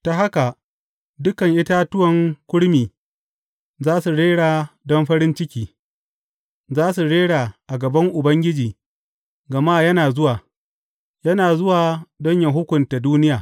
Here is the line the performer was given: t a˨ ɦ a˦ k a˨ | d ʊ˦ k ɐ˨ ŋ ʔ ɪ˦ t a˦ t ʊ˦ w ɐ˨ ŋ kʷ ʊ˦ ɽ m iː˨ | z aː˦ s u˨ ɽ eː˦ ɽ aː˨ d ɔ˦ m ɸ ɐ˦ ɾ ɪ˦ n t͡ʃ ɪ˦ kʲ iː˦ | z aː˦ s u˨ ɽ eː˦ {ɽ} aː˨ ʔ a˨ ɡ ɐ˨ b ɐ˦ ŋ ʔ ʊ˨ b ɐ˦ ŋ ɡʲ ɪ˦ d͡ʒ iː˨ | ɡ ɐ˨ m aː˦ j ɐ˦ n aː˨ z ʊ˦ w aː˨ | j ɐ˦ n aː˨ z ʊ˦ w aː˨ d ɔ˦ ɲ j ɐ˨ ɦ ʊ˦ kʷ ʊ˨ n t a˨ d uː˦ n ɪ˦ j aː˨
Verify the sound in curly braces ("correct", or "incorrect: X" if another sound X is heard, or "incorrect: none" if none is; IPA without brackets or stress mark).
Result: correct